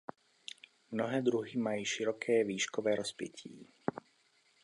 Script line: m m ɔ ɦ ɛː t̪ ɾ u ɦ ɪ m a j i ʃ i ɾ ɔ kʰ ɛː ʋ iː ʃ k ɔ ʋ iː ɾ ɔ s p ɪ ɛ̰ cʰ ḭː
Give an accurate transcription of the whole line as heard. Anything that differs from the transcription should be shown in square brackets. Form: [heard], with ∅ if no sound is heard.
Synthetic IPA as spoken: m [n] ɔ ɦ ɛː [d̪] ɾ u ɦ [i] m a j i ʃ i ɾ ɔ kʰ ɛː ʋ iː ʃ k ɔ ʋ [ɛː] ɾ ɔ s p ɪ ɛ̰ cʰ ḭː